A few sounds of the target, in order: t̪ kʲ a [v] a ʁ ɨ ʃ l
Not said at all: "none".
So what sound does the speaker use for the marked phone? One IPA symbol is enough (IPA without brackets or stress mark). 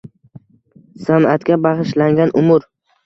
b